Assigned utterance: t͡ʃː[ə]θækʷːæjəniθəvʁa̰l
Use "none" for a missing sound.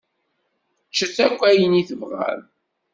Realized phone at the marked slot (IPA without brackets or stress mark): ə